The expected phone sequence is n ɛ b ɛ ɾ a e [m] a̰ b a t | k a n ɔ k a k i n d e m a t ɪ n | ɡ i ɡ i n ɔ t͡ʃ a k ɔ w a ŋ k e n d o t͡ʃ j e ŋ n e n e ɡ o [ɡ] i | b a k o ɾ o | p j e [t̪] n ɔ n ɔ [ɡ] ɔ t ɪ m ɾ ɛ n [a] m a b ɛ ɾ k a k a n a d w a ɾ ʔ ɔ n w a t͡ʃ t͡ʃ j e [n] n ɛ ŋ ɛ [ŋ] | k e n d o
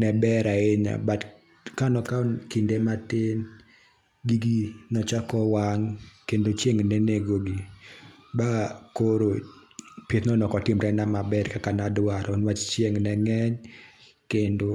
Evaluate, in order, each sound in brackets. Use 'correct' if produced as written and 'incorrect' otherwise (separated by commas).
incorrect, correct, correct, incorrect, correct, incorrect, incorrect